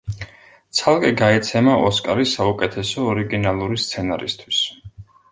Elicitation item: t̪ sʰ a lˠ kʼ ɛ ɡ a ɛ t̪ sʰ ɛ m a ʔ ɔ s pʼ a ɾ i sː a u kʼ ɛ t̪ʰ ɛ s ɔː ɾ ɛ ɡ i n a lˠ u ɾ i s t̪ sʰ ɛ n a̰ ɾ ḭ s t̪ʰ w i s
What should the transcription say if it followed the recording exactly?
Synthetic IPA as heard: t̪ sʰ a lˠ kʼ ɛ ɡ a ɛ t̪ sʰ ɛ m a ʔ ɔ s kʼ a ɾ i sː a u kʼ ɛ t̪ʰ ɛ s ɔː ɾ i ɡ i n a lˠ u ɾ i s t̪ sʰ ɛ n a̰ ɾ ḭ s t̪ʰ w i s